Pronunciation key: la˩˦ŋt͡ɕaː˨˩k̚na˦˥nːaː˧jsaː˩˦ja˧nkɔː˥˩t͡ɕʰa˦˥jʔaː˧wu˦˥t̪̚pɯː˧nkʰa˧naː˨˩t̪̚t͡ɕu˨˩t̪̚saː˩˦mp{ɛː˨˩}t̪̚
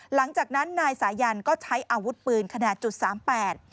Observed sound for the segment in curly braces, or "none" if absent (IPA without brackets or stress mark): ɛː˨˩